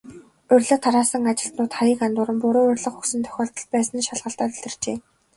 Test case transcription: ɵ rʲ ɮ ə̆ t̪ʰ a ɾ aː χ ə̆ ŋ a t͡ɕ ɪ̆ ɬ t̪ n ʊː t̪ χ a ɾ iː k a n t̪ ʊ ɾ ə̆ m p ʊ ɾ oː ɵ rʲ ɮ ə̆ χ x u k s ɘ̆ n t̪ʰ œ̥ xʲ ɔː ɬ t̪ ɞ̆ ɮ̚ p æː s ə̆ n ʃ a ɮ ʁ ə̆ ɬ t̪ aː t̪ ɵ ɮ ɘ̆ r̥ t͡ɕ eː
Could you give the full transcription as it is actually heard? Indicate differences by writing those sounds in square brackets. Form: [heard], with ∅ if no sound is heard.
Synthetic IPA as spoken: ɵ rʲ ɮ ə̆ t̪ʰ a ɾ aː [s] ə̆ ŋ a t͡ɕ ɪ̆ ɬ t̪ n ʊː t̪ χ a ɾ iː k a n t̪ ʊ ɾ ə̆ m p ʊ ɾ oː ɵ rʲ ɮ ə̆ χ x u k s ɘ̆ n t̪ʰ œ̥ xʲ ɔː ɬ t̪ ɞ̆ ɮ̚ p æː s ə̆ n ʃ a ɮ ʁ ə̆ ɬ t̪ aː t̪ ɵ ɮ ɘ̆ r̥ t͡ɕ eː